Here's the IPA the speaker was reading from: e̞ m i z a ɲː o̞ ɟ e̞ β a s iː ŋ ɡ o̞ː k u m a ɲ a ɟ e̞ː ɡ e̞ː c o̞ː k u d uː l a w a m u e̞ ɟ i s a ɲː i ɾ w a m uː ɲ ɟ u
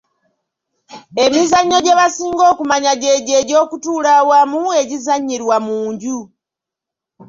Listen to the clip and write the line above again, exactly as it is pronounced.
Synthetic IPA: e̞ m i z a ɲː o̞ ɟ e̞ β a s iː ŋ ɡ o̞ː k u m a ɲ a ɟ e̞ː ɟ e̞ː ɟ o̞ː k u t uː l a w a m u e̞ ɟ i z a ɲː i ɾ w a m uː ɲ ɟ u